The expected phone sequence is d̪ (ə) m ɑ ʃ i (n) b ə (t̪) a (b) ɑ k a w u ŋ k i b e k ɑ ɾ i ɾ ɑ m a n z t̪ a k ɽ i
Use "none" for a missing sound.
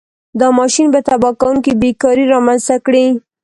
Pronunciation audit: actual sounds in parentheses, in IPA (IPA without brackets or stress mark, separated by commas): ɑ, n, t̪, b